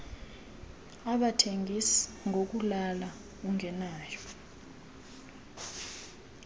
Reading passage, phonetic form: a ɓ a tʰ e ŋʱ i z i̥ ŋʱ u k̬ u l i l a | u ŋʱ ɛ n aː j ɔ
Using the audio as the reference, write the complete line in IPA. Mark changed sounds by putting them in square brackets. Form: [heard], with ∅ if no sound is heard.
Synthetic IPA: a ɓ a tʰ e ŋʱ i [s] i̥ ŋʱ [o] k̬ u l [a] l a | u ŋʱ ɛ n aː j ɔ